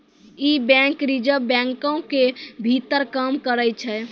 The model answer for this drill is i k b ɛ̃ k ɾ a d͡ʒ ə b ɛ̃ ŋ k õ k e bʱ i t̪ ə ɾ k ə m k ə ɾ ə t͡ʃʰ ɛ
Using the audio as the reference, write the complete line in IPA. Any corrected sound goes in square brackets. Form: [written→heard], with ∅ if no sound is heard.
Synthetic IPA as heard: i [k→∅] b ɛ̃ k ɾ [a→i] d͡ʒ ə b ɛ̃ ŋ k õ k e bʱ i t̪ ə ɾ k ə m k ə ɾ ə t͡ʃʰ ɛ